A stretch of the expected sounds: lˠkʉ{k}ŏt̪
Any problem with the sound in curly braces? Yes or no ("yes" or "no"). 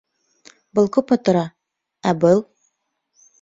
yes